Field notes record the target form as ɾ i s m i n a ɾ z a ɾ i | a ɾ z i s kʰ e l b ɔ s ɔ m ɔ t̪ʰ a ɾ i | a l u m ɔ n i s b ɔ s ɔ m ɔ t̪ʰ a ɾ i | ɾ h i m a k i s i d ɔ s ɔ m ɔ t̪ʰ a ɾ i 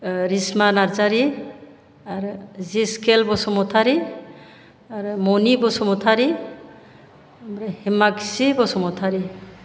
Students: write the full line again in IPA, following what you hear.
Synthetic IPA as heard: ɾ i s m a n a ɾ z a ɾ i | a ɾ z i s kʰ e l b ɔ s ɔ m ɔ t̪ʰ a ɾ i | a ɾ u m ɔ n i b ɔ s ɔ m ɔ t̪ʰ a ɾ i | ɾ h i m a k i s i b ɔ s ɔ m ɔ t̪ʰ a ɾ i